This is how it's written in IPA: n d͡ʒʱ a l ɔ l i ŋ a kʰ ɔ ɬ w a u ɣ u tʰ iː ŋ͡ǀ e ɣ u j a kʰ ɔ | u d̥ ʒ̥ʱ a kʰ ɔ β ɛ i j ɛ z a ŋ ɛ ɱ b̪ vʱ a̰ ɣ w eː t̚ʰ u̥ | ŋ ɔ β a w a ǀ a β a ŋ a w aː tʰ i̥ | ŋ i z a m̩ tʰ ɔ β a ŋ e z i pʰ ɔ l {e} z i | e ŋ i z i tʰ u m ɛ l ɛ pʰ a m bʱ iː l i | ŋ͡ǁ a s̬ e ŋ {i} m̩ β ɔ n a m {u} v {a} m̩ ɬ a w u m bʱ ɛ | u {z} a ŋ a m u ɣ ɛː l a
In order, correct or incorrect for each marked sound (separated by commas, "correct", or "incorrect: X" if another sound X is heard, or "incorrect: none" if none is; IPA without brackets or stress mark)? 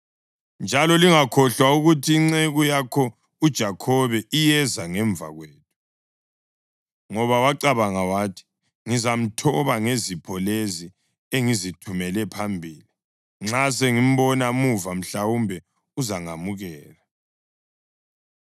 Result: correct, correct, correct, correct, correct